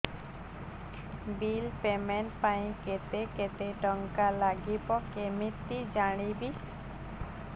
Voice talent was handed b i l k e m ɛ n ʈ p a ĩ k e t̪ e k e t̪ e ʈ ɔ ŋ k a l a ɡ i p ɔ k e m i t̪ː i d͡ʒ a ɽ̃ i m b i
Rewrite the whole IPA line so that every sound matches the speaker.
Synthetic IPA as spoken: b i l p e m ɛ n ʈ p a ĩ k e t̪ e k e t̪ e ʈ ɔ ŋ k a l a ɡ i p ɔ k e m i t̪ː i d͡ʒ a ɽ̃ i b i